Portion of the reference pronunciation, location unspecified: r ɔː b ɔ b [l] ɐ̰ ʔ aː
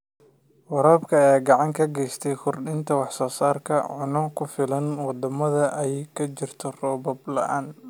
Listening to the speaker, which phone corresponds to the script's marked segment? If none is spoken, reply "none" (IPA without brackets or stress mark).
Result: l